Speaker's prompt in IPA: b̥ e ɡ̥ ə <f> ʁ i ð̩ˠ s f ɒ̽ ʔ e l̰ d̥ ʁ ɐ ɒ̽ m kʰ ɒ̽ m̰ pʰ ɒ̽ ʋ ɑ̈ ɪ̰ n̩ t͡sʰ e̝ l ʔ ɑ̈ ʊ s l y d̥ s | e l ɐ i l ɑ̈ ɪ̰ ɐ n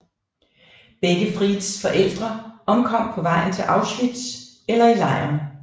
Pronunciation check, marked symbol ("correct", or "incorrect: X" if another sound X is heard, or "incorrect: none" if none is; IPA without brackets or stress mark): correct